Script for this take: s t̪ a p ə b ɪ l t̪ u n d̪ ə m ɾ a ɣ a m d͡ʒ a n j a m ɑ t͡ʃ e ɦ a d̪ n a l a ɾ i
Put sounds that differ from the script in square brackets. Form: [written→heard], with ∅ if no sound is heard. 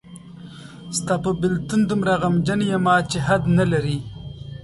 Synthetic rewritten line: s t̪ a p ə b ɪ l t̪ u n d̪ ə m ɾ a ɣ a m d͡ʒ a n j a m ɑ t͡ʃ e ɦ a d̪ n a l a ɾ i